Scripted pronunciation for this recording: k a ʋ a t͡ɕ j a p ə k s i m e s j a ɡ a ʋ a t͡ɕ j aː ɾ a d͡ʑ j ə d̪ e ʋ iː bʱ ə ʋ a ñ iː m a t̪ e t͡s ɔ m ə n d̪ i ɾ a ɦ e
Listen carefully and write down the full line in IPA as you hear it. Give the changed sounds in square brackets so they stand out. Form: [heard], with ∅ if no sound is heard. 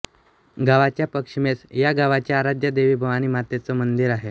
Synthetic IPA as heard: [ɡ] a ʋ a t͡ɕ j a p ə k [ʂ] i m e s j a ɡ a ʋ a t͡ɕ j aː ɾ a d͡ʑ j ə d̪ e ʋ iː bʱ ə ʋ a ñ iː m a t̪ e t͡s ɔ m ə n d̪ i ɾ a ɦ e

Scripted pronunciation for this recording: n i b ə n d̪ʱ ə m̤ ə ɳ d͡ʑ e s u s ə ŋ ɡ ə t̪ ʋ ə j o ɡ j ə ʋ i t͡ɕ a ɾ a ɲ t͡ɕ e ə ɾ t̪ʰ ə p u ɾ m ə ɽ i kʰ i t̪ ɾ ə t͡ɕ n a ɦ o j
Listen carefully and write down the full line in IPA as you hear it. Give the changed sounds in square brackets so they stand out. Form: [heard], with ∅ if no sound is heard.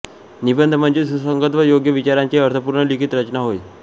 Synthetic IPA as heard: n i b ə n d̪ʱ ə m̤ ə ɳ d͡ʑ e s u s ə ŋ ɡ ə t̪ ʋ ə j o ɡ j ə ʋ i t͡ɕ a ɾ a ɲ t͡ɕ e ə ɾ t̪ʰ ə p u ɾ [ɳ] ə [l] i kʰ i t̪ ɾ ə t͡ɕ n a ɦ o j

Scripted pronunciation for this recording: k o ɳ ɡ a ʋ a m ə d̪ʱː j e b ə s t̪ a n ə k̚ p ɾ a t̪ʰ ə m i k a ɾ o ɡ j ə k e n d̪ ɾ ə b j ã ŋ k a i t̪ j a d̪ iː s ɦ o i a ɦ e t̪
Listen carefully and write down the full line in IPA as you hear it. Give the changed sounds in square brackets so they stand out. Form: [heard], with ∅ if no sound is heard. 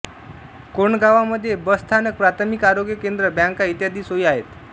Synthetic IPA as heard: k o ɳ ɡ a ʋ a m ə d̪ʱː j e b ə s [t̪ʰ] a n ə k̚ p ɾ a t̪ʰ ə m i k a ɾ o ɡ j ə k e n d̪ ɾ ə b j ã ŋ k a i t̪ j a d̪ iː s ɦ o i a ɦ e t̪

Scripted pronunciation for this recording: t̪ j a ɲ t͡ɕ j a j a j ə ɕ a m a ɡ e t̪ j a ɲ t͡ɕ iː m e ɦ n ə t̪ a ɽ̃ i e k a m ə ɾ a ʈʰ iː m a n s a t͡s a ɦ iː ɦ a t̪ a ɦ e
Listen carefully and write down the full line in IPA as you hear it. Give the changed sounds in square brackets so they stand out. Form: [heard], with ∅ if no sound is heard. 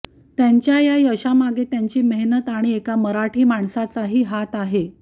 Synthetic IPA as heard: t̪ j a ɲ t͡ɕ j a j a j ə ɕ a m a ɡ e t̪ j a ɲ t͡ɕ iː m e ɦ n ə t̪ a ɽ̃ i e k a m ə ɾ a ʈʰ iː m a [ɳ] s a t͡s a ɦ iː ɦ a t̪ a ɦ e

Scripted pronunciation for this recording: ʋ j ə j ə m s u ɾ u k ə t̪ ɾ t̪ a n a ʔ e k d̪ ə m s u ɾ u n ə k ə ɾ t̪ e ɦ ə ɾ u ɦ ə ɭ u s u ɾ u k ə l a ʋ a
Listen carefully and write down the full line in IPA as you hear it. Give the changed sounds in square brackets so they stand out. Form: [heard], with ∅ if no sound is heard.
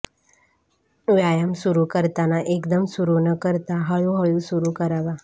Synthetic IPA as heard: ʋ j [a] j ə m s u ɾ u k ə [∅] ɾ t̪ a n a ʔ e k d̪ ə m s u ɾ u n ə k ə ɾ t̪ [a] ɦ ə [ɭ] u ɦ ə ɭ u s u ɾ u k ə [ɾ] a ʋ a

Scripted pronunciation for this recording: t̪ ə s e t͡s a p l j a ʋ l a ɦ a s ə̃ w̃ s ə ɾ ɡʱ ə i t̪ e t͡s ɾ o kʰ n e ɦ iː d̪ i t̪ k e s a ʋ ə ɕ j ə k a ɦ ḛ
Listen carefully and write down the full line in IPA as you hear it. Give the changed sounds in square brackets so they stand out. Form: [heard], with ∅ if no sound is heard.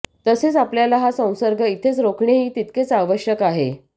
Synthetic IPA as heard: t̪ ə s e t͡s a p l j a [∅] l a ɦ a s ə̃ w̃ s ə ɾ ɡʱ ə i [t̪ʰ] e t͡s ɾ o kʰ [ɳ] e ɦ iː [t̪] i t̪ k e [t͡s] a ʋ ə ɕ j ə k a ɦ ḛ

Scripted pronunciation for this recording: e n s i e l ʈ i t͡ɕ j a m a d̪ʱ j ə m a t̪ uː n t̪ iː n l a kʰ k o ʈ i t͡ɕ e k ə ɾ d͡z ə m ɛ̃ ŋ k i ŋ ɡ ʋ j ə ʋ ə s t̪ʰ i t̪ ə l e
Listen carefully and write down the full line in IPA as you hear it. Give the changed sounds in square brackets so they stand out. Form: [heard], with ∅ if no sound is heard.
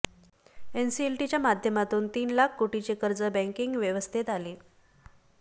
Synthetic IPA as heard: e n s i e l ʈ i t͡ɕ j a m a d̪ʱ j ə m a t̪ uː n t̪ iː n l a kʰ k o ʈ i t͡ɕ e k ə ɾ d͡z ə [b] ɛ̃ ŋ k i ŋ ɡ ʋ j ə ʋ ə s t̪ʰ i t̪ [a] l e

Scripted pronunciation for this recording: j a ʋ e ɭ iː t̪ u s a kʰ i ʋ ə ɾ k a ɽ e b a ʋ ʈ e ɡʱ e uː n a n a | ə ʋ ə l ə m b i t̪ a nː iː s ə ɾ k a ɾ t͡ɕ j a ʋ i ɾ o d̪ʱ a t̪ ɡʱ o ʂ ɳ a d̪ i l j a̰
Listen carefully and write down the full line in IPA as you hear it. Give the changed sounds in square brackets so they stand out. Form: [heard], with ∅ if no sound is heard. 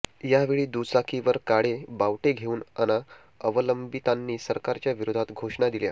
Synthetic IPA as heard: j a ʋ e ɭ iː [d̪] u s a kʰ i ʋ ə ɾ k a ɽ e b a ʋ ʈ e ɡʱ e uː n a n a | ə ʋ ə l ə m b i t̪ a nː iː s ə ɾ k a ɾ t͡ɕ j a ʋ i ɾ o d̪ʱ a t̪ ɡʱ o ʂ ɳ a d̪ i l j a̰

